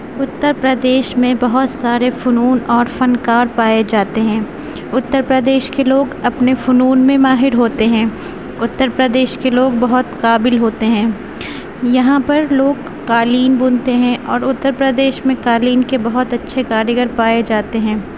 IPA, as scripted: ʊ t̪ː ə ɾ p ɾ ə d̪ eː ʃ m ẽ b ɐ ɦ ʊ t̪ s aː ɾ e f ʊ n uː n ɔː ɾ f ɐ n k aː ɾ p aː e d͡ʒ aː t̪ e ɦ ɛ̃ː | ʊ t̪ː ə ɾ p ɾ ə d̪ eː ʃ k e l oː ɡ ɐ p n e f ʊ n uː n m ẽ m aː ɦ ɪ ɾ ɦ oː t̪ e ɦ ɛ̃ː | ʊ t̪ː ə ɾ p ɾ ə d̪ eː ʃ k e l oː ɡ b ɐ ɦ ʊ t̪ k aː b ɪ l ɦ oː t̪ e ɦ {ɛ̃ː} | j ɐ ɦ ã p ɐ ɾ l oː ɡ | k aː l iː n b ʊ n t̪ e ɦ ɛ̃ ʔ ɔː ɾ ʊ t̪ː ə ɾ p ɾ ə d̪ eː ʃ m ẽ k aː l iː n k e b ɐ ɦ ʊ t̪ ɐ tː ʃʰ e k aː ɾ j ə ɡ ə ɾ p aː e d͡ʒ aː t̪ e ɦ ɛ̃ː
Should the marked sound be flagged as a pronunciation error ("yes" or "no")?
no